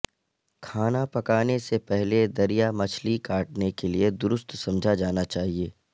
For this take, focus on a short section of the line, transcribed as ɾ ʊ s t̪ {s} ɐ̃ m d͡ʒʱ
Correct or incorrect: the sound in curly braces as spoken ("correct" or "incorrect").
correct